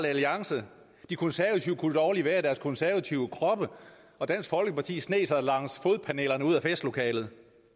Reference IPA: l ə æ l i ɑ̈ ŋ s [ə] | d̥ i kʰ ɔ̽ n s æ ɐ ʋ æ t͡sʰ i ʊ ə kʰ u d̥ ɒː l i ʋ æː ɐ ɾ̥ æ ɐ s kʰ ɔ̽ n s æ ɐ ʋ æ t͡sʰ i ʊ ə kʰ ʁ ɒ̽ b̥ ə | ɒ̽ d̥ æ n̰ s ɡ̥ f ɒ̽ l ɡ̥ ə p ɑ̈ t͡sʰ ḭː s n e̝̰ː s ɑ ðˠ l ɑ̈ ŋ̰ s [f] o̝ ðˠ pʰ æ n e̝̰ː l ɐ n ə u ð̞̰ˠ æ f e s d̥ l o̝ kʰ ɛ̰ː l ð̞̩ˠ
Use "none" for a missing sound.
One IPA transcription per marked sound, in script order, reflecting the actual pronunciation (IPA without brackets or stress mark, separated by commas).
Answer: ə, f